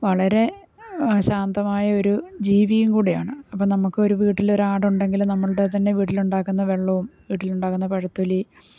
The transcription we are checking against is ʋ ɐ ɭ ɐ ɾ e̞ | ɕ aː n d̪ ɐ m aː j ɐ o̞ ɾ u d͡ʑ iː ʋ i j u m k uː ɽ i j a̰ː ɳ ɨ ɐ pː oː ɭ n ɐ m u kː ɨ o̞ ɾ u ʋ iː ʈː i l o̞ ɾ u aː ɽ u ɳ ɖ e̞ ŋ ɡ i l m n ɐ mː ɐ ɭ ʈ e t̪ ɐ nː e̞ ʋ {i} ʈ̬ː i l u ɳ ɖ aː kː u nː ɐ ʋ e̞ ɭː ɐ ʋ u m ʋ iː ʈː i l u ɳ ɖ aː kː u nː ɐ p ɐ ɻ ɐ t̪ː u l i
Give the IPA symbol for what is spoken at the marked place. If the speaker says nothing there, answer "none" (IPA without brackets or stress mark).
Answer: iː